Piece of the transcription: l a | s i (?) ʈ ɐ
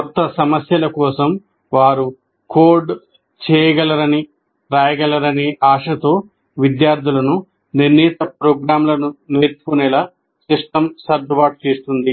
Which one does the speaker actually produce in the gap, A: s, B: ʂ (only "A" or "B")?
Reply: B